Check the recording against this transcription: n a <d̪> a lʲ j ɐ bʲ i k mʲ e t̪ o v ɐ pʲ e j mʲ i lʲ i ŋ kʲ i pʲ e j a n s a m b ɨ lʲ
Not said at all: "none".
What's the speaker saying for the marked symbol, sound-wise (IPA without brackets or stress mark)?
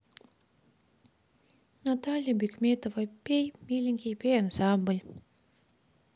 t̪